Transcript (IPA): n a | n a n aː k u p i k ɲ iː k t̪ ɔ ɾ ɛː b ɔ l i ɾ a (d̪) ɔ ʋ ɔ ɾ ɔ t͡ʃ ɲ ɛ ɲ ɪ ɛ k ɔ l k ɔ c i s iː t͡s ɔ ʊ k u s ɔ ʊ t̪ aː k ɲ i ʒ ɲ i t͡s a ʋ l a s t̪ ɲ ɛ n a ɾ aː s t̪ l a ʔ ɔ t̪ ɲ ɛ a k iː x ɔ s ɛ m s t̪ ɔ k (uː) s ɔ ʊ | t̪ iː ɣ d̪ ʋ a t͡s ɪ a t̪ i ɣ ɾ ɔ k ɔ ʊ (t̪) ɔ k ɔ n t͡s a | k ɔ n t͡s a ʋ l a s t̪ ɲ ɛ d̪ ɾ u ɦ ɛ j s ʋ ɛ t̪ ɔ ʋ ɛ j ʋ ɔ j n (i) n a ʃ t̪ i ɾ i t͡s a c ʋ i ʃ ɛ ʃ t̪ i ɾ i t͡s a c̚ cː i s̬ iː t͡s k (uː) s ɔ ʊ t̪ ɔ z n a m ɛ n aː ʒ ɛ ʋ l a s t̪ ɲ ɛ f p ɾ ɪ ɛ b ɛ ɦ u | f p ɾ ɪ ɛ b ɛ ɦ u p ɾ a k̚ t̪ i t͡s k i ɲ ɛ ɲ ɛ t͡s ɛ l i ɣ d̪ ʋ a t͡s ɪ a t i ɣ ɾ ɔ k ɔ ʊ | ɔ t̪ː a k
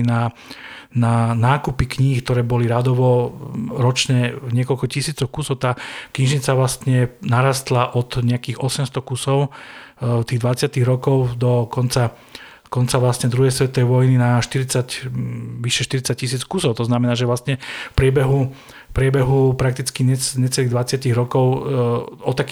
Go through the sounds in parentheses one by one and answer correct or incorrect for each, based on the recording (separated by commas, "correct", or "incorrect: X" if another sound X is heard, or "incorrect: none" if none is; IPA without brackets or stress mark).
correct, incorrect: u, incorrect: d̪, correct, incorrect: u